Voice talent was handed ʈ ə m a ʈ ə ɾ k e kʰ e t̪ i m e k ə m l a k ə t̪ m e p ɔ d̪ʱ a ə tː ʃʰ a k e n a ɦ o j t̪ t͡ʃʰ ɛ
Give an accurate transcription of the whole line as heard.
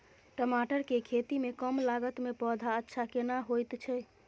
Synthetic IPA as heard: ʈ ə m a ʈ ə ɾ k e kʰ e t̪ i m e k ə m l a ɡ ə t̪ m e p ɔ d̪ʱ a ə tː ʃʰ a k e n a ɦ o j t̪ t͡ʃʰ ɛ